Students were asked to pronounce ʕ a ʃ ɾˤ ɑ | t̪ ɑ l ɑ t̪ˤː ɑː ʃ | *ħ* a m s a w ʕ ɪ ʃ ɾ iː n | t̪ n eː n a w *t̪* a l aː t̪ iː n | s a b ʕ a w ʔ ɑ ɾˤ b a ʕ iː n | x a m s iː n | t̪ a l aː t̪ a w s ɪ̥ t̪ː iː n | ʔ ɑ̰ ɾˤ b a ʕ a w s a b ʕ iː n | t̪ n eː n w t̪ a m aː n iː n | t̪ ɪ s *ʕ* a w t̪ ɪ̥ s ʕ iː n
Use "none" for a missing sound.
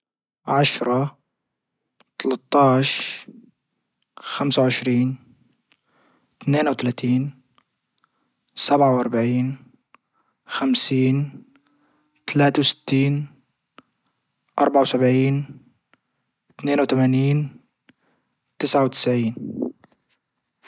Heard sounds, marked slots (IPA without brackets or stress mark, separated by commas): x, t̪, ʕ